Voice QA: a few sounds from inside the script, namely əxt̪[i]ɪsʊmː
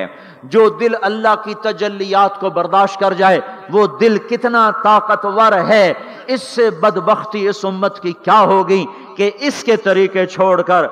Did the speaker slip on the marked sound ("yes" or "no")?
no